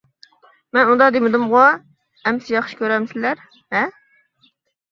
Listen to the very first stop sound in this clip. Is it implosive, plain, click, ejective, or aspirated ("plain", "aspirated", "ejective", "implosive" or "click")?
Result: plain